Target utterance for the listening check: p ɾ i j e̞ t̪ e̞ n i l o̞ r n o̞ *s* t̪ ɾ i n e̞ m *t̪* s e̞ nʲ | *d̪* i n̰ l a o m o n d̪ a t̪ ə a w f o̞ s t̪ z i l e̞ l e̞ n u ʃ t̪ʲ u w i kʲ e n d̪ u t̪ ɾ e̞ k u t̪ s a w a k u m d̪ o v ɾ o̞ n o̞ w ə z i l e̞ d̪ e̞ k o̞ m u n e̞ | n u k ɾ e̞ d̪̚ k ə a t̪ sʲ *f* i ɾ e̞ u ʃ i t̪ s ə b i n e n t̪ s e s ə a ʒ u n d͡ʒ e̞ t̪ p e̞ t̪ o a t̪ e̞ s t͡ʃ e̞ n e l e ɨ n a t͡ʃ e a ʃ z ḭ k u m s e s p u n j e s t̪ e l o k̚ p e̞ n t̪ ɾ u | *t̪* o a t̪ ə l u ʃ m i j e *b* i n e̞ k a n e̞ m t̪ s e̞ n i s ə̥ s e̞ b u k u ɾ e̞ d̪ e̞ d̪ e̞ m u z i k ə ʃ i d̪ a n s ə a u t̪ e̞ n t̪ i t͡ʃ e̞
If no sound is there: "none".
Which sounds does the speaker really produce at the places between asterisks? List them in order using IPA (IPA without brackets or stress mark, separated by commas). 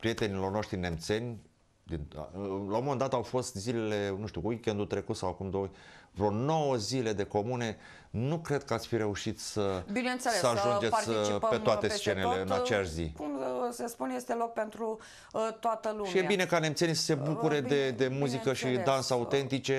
ʃ, t̪, d̪, f, t̪, b